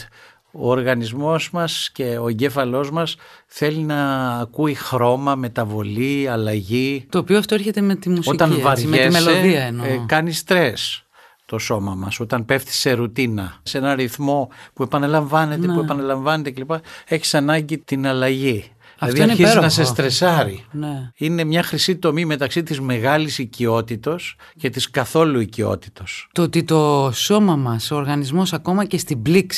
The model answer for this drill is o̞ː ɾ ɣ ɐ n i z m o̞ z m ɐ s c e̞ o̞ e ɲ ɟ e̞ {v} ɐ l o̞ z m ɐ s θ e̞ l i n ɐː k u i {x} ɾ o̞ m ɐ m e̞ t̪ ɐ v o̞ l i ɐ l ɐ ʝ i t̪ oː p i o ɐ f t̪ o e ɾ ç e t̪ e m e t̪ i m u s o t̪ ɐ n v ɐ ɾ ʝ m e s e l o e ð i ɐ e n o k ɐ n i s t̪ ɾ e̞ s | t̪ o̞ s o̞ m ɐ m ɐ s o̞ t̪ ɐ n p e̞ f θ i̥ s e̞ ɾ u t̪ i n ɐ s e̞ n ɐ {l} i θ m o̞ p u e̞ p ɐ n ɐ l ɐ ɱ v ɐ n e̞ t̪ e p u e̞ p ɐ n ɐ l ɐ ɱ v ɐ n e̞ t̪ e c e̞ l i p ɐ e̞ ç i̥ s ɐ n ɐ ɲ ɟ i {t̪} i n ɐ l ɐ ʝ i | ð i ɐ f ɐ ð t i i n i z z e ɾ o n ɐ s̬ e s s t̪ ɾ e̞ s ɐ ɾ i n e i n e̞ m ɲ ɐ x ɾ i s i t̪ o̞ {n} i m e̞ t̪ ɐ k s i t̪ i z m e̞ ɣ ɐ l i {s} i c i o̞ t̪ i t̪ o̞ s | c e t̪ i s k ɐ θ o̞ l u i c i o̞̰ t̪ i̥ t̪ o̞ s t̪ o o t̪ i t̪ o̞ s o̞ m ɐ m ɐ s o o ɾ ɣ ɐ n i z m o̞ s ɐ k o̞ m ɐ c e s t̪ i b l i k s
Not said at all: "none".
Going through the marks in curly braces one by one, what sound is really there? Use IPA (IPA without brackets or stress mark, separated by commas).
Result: f, x, ɾ, t̪, m, s